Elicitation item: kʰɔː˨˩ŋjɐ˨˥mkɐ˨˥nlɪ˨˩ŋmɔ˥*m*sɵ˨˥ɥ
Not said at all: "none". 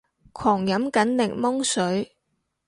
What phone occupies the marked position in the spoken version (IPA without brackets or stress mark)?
ŋ